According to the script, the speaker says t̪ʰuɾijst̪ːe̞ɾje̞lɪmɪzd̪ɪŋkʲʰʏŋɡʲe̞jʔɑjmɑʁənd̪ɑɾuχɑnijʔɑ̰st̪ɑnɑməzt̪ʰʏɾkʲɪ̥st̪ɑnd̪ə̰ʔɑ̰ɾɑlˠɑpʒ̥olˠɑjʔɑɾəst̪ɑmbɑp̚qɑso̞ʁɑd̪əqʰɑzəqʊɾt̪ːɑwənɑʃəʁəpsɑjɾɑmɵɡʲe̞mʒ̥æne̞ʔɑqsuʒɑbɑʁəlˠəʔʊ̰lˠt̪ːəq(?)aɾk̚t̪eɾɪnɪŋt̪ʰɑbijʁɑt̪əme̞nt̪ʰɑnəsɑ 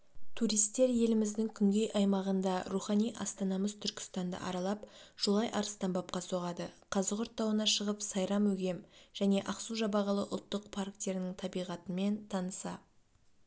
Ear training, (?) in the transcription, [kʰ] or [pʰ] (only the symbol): pʰ